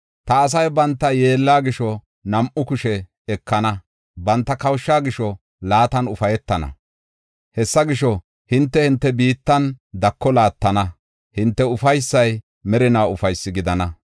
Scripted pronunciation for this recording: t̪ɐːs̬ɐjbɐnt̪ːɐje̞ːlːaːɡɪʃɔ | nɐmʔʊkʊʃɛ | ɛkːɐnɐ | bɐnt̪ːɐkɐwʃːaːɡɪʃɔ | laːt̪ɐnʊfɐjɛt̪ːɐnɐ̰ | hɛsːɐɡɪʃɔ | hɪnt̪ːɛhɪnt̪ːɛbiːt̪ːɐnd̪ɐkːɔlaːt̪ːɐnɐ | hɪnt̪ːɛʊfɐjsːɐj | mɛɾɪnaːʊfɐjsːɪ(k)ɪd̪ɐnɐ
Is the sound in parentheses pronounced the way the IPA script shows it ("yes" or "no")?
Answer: no